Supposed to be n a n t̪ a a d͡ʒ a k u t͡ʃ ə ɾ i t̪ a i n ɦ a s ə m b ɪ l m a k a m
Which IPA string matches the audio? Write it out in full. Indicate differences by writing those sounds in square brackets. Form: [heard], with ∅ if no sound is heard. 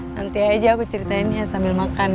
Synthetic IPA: n a n t̪ [i] a d͡ʒ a k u t͡ʃ ə ɾ i t̪ a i n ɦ a s [a] m b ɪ l m a k a [n]

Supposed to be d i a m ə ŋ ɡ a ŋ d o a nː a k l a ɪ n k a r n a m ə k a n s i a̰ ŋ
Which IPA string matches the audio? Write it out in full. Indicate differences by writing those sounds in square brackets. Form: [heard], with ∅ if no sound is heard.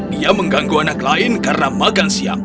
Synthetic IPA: d i a m ə ŋ ɡ a ŋ [ɡ] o a [n] a k l a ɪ n k a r n a m [a] k a n s i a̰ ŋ

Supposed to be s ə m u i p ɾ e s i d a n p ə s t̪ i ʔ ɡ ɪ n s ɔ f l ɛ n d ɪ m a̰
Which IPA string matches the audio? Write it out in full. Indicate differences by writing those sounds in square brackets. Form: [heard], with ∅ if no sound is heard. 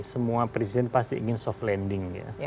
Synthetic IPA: s ə m u [a] p ɾ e s i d [ɛ] n p [a] s t̪ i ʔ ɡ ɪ n s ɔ f l ɛ n d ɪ [ŋ] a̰

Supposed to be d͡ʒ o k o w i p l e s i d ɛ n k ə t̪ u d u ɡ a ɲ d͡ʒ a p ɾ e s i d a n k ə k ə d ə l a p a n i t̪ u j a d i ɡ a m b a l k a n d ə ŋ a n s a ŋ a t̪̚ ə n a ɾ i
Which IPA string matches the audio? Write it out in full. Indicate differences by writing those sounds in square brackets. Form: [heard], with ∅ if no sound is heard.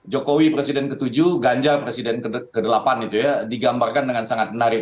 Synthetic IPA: d͡ʒ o k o w i p [ɾ] e s i d ɛ n k ə t̪ u [d͡ʒ] u ɡ a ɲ d͡ʒ a p ɾ e s i d [ɛ] n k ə k ə d ə l a p a n i t̪ u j a d i ɡ a m b a [r] k a n d ə ŋ a n s a ŋ a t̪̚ ə n a ɾ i

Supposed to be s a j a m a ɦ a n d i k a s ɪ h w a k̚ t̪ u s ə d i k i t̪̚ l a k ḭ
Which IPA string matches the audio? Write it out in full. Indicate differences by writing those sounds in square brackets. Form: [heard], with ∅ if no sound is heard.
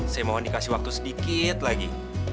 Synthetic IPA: s a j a m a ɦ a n d i k a s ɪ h w a k̚ t̪ u s ə d i k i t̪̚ l a [ɡ] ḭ

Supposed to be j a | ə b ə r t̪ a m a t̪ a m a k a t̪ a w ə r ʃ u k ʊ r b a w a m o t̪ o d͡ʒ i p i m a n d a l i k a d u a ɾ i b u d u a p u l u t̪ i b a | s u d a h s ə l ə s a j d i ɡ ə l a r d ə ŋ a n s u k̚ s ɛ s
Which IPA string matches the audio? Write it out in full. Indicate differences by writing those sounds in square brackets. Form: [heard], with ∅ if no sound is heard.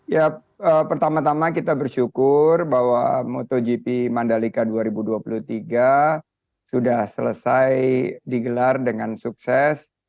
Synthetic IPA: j a | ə [p] ə r t̪ a m a t̪ a m a k [i] t̪ a [b] ə r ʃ u k ʊ r b a w a m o t̪ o d͡ʒ i p i m a n d a l i k a d u a ɾ i b u d u a p u l u t̪ i [ɡ] a | s u d a h s ə l ə s a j d i ɡ ə l a r d ə ŋ a n s u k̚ s ɛ s

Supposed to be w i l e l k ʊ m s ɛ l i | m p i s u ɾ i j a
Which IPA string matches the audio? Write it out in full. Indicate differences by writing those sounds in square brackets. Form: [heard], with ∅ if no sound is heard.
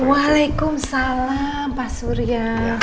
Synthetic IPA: w [a] l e [∅] k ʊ m s [a] l [a] | m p [a] s u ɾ i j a

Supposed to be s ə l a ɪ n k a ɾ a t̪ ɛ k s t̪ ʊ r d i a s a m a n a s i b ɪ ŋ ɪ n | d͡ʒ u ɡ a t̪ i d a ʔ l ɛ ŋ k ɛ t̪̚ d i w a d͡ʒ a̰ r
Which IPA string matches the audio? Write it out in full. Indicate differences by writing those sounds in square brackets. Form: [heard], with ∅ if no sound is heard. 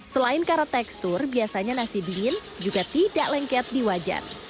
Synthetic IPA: s ə l a ɪ n k a ɾ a t̪ ɛ k s t̪ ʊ r [b] i a s a [ɲ] a n a s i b [i] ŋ ɪ n | d͡ʒ u ɡ a t̪ i d a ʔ l ɛ ŋ k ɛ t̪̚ d i w a d͡ʒ a̰ r

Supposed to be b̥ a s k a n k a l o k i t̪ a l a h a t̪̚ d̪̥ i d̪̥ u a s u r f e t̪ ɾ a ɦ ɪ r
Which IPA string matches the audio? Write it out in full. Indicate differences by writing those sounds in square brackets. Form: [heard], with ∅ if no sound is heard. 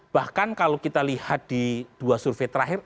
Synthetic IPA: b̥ a [h] k a n k a l o k i t̪ a l [i] h a t̪̚ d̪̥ i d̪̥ u a s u r f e t̪ ɾ a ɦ ɪ r

